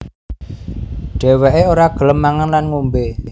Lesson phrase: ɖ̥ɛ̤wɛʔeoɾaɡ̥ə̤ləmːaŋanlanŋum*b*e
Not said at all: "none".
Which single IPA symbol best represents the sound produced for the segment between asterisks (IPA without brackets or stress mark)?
b